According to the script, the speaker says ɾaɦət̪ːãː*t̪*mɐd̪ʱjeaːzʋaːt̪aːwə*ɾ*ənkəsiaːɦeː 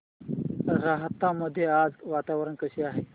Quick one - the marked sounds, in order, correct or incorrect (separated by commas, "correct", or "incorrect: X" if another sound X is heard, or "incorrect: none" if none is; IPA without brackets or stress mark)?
incorrect: none, correct